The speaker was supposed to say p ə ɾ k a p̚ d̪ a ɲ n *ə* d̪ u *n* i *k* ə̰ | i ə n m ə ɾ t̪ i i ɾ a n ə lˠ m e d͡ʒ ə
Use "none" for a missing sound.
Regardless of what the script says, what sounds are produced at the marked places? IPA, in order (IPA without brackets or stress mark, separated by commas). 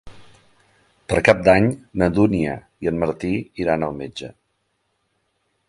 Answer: ə, n, none